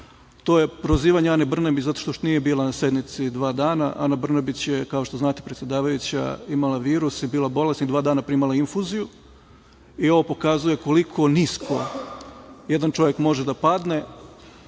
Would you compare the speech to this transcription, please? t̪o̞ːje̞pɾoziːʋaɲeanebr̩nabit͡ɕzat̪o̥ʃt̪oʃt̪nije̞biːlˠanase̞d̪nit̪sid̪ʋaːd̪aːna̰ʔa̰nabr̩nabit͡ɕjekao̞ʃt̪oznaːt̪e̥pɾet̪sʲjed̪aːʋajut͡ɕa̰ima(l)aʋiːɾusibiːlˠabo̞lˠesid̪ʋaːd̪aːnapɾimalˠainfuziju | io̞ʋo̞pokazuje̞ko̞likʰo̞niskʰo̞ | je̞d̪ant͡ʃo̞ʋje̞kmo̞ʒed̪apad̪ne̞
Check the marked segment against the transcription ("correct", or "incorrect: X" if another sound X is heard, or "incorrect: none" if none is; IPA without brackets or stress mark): correct